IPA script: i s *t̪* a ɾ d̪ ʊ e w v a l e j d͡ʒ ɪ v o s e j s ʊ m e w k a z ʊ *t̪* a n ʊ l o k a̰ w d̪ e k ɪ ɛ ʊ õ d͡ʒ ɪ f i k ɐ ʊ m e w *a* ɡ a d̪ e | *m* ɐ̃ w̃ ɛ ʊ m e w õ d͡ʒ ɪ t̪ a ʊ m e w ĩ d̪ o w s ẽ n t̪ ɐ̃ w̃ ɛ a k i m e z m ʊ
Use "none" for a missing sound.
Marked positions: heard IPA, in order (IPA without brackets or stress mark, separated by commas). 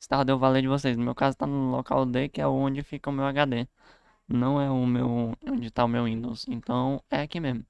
t̪, t̪, a, n